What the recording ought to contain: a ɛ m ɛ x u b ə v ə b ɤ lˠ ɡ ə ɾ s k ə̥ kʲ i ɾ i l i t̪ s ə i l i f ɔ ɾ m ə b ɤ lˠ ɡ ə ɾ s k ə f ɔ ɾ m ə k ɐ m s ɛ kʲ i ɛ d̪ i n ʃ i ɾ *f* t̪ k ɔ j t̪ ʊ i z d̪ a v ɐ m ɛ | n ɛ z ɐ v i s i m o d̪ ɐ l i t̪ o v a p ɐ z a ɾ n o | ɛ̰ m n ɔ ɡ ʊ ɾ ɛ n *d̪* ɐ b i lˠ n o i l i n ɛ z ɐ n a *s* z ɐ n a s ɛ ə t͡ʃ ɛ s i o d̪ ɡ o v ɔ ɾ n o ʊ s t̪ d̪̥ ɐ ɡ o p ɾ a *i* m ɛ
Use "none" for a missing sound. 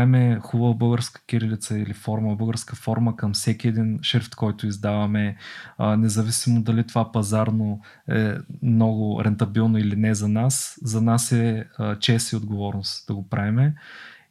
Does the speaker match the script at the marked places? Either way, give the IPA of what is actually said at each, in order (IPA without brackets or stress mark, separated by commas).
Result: f, t̪, s, ɛ